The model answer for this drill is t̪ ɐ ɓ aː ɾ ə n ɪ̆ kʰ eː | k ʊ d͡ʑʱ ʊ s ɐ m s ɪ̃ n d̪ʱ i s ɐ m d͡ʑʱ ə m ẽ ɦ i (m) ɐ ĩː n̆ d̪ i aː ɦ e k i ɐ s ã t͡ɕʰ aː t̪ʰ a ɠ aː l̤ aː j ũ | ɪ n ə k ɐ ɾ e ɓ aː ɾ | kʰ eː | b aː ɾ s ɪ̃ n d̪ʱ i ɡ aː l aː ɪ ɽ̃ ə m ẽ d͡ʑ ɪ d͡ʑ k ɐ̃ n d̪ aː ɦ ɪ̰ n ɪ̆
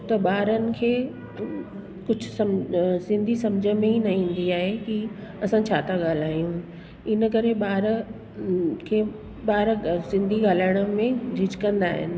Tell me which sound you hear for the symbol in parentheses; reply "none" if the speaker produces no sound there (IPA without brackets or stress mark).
n